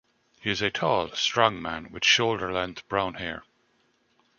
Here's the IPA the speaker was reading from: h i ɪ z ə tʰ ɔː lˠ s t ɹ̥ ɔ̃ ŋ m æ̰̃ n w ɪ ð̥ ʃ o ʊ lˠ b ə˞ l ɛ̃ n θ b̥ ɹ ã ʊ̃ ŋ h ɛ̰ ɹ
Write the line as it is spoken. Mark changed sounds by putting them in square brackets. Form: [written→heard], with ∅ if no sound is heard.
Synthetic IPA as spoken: h i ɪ z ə tʰ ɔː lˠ s t ɹ̥ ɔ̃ ŋ m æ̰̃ n w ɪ ð̥ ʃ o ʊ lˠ [b→d] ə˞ l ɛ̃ n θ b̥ ɹ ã ʊ̃ [ŋ→n] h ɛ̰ ɹ

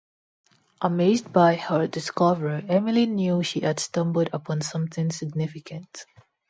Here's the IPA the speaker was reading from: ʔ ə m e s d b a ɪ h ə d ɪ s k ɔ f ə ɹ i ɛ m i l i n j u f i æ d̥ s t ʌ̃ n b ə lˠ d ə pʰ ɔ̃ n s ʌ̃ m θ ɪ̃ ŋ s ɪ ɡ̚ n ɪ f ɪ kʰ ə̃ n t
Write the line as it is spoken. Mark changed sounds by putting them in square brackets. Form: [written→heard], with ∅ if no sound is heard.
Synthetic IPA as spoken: ʔ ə m e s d b a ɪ h ə d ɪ s k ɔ [f→v] ə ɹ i ɛ m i l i n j u [f→ʃ] i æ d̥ s t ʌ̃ [n→m] b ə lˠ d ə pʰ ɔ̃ n s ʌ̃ m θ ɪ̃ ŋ s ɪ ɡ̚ n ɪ f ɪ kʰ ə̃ n t

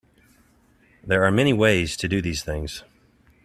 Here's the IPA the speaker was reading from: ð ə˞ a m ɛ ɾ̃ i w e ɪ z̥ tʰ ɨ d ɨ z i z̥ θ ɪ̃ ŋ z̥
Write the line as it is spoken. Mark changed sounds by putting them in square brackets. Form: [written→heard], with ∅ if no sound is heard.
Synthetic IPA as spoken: ð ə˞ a m ɛ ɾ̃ i w e ɪ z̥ tʰ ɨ d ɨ [z→ð] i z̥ θ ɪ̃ ŋ z̥

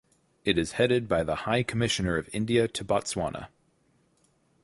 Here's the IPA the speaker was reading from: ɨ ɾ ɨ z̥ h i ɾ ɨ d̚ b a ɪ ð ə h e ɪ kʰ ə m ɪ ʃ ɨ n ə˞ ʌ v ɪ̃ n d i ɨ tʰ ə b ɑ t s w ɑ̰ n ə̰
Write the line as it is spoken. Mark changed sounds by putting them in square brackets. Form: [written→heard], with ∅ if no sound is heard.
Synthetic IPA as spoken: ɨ ɾ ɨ z̥ h [i→ɛ] ɾ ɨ d̚ b a ɪ ð ə h [e→a] ɪ kʰ ə m ɪ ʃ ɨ n ə˞ ʌ v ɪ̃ n d i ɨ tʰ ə b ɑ t s w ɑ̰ n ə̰

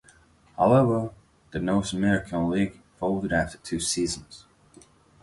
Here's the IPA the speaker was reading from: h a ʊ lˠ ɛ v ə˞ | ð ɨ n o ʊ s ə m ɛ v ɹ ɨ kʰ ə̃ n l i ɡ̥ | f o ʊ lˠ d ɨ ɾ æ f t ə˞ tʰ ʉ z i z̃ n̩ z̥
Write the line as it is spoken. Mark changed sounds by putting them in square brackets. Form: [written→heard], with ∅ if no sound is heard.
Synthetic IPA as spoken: h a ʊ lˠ ɛ v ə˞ | ð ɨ n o ʊ s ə m ɛ [v→∅] ɹ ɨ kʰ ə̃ n l i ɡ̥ | f o ʊ lˠ d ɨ ɾ æ f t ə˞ tʰ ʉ [z→s] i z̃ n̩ z̥

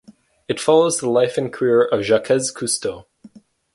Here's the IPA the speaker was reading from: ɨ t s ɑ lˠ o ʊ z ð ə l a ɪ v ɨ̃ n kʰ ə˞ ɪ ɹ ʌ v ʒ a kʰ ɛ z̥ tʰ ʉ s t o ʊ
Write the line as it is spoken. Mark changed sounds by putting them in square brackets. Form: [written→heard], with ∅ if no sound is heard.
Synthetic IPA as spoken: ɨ t [s→f] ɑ lˠ o ʊ z ð ə l a ɪ [v→f] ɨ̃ n kʰ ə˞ ɪ ɹ ʌ v ʒ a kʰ ɛ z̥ [tʰ→kʰ] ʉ s t o ʊ

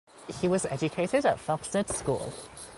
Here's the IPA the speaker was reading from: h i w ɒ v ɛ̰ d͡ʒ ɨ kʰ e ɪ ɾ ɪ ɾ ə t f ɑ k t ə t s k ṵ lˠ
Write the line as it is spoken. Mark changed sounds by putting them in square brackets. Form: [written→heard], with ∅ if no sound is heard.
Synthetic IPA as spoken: h i w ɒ [v→z] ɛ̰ d͡ʒ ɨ kʰ e ɪ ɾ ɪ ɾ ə t f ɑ k [t→s] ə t s k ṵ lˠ

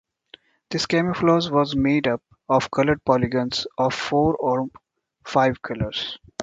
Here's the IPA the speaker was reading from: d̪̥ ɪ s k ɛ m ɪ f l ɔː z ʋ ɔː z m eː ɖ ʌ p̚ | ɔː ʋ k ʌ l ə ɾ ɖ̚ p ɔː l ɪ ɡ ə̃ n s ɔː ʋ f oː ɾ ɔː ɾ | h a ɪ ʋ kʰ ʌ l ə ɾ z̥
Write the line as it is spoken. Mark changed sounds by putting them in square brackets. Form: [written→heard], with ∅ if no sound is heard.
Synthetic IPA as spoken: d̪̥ ɪ s k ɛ m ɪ f l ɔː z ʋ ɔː z m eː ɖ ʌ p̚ | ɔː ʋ k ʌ l ə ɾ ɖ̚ p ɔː l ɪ ɡ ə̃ n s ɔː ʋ f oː ɾ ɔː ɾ | [h→f] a ɪ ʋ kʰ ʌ l ə ɾ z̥

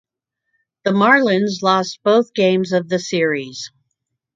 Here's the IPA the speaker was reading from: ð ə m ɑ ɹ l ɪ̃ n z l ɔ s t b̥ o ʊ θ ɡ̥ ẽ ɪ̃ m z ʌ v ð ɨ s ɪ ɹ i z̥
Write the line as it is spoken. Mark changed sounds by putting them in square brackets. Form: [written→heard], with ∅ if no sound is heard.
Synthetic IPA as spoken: ð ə m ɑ ɹ l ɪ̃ n z l ɔ s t b̥ o ʊ θ ɡ̥ ẽ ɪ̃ m z ʌ v ð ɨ s ɪ ɹ i z̥

